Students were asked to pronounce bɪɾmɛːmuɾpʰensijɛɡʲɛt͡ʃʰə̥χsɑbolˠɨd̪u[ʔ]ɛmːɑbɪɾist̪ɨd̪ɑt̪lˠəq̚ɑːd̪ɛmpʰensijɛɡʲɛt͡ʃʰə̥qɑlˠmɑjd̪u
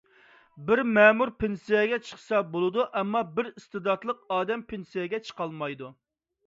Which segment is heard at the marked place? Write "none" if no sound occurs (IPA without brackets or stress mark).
ʔ